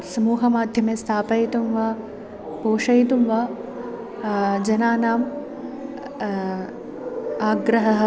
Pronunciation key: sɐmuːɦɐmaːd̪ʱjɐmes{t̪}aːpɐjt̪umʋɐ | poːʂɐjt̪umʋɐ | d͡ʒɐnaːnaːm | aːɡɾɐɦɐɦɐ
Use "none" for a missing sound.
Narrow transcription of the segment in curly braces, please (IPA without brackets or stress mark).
t̪ʰ